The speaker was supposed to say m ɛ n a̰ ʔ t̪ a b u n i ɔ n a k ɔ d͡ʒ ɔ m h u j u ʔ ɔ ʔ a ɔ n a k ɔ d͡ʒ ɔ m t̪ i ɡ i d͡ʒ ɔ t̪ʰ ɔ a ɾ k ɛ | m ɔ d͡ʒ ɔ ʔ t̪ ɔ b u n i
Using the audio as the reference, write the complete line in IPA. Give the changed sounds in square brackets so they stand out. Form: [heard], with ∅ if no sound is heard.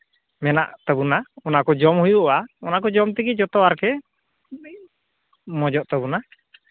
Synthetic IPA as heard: m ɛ n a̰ ʔ t̪ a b u n [a] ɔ n a k ɔ d͡ʒ ɔ m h u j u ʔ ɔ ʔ a ɔ n a k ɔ d͡ʒ ɔ m t̪ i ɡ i d͡ʒ ɔ [t̪] ɔ a ɾ k ɛ | m ɔ d͡ʒ ɔ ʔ t̪ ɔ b u n [a]